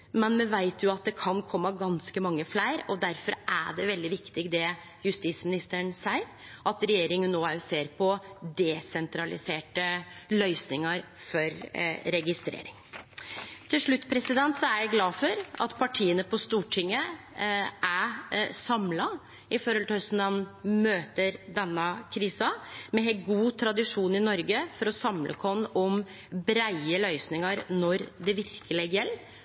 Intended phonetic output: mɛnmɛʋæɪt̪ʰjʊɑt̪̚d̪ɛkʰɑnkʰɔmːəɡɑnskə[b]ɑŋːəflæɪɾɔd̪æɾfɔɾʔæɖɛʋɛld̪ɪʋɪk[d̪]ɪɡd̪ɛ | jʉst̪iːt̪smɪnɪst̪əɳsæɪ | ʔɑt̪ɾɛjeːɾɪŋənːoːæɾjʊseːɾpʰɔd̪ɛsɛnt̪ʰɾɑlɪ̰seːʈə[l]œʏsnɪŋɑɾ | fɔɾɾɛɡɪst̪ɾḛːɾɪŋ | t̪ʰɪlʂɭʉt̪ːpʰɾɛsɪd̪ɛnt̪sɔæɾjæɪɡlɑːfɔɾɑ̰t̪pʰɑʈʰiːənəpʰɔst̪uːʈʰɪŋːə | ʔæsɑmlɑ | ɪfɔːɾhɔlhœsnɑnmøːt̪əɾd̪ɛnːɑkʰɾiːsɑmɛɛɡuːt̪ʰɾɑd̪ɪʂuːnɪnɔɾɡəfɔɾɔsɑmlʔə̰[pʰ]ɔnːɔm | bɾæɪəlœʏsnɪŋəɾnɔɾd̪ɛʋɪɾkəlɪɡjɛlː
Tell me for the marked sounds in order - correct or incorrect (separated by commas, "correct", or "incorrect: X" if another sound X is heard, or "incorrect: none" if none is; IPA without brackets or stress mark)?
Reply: incorrect: m, incorrect: t̪, correct, incorrect: kʰ